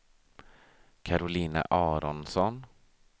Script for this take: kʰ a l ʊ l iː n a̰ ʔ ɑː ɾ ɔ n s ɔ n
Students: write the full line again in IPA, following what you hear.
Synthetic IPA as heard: kʰ a ɾ ʊ l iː n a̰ ʔ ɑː ɾ ɔ n s ɔ n